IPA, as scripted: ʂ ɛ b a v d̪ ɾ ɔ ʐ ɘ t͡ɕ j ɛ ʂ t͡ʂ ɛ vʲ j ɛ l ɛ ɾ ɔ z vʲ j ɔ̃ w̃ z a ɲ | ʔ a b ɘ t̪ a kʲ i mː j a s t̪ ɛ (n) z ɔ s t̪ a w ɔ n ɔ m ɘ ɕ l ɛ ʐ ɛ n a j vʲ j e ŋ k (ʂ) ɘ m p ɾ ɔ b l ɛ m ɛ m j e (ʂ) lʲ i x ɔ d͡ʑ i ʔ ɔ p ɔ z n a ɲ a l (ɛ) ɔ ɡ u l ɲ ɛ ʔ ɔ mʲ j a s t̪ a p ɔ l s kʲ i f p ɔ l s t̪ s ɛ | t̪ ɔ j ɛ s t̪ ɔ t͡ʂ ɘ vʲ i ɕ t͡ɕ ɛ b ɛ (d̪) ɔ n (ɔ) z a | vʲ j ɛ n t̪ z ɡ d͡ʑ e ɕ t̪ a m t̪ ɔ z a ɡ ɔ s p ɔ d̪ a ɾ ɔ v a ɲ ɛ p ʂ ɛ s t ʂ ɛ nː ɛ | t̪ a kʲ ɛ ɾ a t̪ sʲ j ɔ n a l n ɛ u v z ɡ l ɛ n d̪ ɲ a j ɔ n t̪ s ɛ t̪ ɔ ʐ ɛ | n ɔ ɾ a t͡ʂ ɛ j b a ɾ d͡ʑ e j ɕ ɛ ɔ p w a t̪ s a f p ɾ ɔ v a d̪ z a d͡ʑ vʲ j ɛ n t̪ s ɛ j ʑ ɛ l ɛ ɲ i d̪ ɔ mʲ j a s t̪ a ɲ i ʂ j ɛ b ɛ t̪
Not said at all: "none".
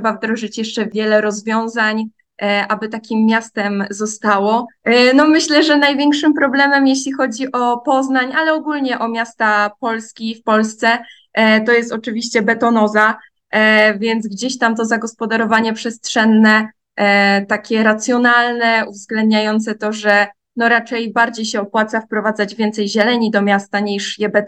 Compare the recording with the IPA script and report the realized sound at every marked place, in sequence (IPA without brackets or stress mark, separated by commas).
m, ʂ, ɕ, ɛ, t̪, ɔ